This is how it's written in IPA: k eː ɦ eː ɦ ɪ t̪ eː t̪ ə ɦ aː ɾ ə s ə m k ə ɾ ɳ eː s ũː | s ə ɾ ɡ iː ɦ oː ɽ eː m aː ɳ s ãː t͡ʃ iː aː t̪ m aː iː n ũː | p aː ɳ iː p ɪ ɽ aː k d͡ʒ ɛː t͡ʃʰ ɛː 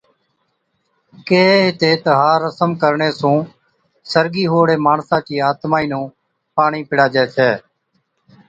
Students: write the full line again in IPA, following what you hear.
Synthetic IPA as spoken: k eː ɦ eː ɦ ɪ t̪ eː t̪ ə ɦ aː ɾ ə s ə m k ə ɾ ɳ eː s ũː | s ə ɾ ɡ iː ɦ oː ɽ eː m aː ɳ s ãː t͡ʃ iː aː t̪ m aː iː n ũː | p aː ɳ iː p ɪ ɽ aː d͡ʒ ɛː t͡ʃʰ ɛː